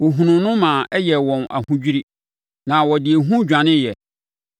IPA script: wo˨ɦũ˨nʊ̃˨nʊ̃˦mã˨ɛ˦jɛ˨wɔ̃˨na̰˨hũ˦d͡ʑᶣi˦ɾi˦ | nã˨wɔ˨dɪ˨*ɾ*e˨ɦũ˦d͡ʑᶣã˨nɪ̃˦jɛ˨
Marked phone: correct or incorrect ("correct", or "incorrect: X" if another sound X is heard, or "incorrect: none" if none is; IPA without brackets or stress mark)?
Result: incorrect: none